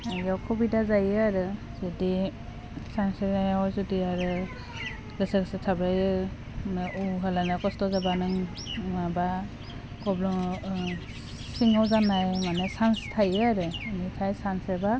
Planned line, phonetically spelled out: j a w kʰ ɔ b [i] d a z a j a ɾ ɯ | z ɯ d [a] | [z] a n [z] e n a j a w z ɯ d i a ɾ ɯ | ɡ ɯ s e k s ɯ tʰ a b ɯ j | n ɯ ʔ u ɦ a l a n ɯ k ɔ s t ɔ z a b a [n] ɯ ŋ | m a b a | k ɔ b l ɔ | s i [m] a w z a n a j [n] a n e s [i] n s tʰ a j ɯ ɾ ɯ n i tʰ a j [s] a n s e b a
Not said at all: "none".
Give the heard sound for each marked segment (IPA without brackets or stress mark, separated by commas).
i, i, s, s, n, ŋ, m, a, s